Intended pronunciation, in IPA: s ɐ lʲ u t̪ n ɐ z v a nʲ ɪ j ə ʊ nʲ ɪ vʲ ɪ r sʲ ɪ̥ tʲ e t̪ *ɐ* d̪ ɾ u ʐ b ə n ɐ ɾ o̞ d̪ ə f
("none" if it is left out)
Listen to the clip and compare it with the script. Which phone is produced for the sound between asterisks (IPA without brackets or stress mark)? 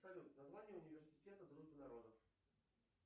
ə